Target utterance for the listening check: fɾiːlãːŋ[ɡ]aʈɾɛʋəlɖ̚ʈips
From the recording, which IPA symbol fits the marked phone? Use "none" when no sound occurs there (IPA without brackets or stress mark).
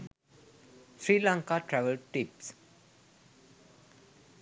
k